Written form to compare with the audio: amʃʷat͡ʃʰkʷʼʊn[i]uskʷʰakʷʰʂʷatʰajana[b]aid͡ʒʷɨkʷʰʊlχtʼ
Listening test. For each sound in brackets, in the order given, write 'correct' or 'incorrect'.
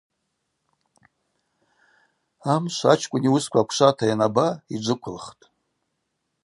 correct, correct

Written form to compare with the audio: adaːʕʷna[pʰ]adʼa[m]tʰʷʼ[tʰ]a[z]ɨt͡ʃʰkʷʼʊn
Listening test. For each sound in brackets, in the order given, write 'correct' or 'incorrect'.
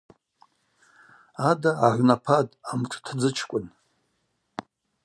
correct, correct, correct, incorrect: d͡z

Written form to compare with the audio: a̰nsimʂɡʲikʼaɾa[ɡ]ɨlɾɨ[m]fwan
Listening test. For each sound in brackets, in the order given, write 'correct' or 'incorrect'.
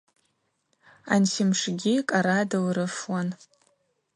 incorrect: d, incorrect: none

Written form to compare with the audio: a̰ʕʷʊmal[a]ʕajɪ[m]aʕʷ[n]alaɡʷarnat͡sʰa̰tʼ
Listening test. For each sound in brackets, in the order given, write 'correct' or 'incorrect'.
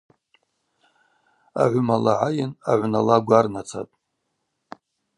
correct, incorrect: n, correct

